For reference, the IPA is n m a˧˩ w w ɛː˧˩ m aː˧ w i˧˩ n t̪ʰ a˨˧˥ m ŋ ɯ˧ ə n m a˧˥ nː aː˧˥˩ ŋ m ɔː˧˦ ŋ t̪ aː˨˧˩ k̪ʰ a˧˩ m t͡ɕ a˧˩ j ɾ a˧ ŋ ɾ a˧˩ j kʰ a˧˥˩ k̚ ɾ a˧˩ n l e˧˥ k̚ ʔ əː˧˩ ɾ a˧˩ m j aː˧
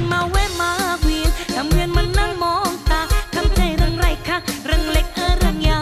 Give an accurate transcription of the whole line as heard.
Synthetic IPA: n m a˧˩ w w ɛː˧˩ m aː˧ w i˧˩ n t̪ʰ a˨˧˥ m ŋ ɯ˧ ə n m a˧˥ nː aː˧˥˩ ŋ m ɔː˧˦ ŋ t̪ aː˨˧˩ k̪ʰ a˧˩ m t͡ɕ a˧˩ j ɾ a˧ ŋ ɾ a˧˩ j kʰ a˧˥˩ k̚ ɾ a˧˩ ŋ l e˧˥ k̚ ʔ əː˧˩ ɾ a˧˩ ŋ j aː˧